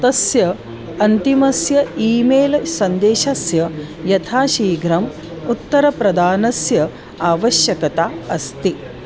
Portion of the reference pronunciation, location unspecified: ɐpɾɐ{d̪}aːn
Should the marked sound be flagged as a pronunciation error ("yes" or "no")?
no